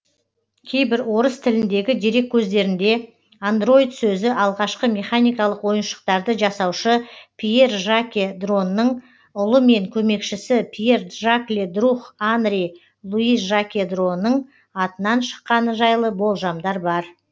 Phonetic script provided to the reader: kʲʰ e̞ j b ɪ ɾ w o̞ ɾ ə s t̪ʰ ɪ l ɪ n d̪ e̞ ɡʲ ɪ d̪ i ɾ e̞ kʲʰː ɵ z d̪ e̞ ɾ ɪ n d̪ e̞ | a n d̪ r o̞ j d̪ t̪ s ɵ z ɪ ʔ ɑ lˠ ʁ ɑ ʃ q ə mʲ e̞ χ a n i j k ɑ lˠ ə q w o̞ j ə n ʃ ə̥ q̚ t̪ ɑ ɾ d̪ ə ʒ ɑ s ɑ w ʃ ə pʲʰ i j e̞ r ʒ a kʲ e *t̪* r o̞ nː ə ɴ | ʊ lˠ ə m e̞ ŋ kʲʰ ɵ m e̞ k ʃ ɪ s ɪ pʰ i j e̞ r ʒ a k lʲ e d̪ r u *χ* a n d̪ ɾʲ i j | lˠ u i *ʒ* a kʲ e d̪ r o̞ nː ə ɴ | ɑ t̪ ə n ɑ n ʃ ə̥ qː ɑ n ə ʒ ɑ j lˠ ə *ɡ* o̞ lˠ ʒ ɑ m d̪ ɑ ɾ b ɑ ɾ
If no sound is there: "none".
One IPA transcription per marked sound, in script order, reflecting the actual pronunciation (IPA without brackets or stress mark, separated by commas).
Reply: d̪, χ, ʒ, b